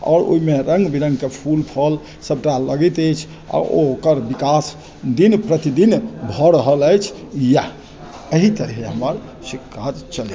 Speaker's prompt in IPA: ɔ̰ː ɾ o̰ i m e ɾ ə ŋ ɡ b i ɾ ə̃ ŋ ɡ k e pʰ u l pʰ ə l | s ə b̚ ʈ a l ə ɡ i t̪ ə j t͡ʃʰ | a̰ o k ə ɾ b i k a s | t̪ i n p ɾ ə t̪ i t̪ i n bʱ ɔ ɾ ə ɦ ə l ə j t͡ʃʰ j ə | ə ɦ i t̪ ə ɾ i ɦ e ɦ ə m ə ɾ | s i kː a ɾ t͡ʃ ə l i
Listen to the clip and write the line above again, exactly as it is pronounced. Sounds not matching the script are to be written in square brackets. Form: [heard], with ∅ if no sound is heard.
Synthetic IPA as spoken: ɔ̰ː ɾ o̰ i m e ɾ ə ŋ ɡ b i ɾ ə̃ ŋ ɡ k e pʰ u l pʰ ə l | s ə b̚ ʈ a l ə ɡ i t̪ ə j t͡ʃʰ | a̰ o k ə ɾ b i k a s | [d̪] i n p ɾ ə t̪ i [d̪] i n bʱ ɔ ɾ ə ɦ ə l ə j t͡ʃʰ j [a] | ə ɦ i t̪ ə ɾ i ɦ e ɦ ə m ə ɾ | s i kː a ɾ t͡ʃ ə l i